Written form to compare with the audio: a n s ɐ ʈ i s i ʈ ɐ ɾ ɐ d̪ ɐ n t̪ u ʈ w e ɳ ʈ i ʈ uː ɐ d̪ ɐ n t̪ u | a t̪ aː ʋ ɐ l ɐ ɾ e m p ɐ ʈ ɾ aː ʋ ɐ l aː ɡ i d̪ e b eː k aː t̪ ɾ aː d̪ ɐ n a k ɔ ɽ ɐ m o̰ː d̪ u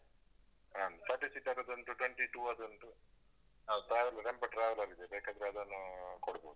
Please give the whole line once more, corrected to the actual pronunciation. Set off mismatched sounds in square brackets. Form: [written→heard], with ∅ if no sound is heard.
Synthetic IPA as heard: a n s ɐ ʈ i s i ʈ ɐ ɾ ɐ d̪ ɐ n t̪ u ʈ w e ɳ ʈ i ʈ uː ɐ d̪ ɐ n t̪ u | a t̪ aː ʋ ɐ l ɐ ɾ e m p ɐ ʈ ɾ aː ʋ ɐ l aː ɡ i d̪ e b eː k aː [t̪→d̪] ɾ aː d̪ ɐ n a k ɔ ɽ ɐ [m→b] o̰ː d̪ u